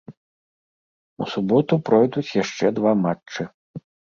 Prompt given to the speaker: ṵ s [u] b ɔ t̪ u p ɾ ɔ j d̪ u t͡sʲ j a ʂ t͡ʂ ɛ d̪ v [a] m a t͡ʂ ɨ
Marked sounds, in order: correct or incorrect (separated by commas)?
correct, correct